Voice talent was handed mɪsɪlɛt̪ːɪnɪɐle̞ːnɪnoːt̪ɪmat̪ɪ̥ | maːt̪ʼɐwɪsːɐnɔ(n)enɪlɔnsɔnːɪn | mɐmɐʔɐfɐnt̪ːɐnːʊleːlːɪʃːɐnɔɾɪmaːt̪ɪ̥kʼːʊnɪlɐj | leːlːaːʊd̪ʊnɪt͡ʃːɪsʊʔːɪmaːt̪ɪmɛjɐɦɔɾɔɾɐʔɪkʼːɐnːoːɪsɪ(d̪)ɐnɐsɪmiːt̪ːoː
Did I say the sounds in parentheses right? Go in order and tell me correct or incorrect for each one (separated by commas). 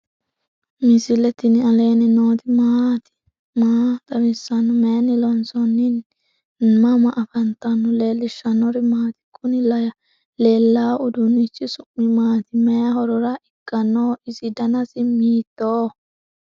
incorrect, correct